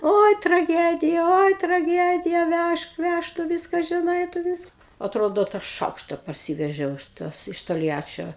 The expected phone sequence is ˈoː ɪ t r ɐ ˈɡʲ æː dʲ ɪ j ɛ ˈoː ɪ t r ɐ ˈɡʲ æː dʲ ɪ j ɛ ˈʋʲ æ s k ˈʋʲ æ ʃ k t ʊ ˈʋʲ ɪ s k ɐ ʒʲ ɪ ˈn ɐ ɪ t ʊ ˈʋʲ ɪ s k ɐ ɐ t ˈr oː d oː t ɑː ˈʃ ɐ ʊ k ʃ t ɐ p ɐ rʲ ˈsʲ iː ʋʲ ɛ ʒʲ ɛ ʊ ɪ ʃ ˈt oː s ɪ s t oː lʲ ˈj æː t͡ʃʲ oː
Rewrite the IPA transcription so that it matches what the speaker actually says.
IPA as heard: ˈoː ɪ t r ɐ ˈɡʲ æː dʲ ɪ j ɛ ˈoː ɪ t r ɐ ˈɡʲ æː dʲ ɪ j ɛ ˈʋʲ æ ʃ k ˈʋʲ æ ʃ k t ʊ ˈʋʲ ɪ s k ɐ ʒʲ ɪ ˈn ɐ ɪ t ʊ ˈʋʲ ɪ s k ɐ ɐ t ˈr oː d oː t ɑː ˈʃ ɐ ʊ k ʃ t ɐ p ɐ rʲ ˈsʲ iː ʋʲ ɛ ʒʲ ɛ ʊ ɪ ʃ ˈt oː s ɪ ʃ t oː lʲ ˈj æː t͡ʃʲ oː